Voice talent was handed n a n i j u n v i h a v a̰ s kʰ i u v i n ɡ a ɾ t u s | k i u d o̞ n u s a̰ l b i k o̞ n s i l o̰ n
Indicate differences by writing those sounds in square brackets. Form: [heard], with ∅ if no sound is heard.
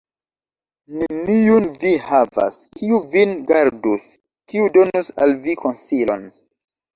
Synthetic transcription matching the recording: n [e] n i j u n v i h a v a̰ s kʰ i u v i n ɡ a ɾ [d] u s | k i u d o̞ n u s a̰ l [v] i k o̞ n s i l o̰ n